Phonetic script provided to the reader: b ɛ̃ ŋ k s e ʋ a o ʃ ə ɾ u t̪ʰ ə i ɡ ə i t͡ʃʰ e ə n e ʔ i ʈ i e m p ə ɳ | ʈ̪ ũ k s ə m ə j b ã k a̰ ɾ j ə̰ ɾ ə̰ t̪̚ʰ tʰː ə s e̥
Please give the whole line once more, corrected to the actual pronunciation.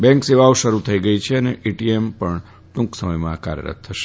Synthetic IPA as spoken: b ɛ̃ ŋ k s e ʋ a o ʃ ə ɾ u t̪ʰ ə i ɡ ə i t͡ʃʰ e ə n e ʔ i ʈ i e m p ə ɳ | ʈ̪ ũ k s ə m ə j m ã k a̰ ɾ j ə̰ ɾ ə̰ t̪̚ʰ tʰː ə ʃ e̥